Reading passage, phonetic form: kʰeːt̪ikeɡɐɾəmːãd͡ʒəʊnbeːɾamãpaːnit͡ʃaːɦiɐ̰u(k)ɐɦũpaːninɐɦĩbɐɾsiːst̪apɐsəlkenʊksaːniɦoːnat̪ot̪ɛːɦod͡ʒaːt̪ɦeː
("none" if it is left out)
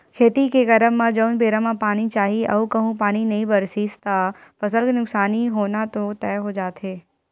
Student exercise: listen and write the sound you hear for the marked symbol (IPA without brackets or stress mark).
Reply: k